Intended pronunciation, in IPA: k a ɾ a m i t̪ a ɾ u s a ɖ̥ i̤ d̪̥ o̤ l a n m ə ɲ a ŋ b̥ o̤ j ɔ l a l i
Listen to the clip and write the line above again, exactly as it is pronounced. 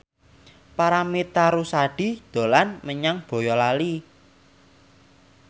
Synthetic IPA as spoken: p a ɾ a m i t̪ a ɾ u s a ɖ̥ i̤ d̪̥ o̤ l a n m ə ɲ a ŋ b̥ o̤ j ɔ l a l i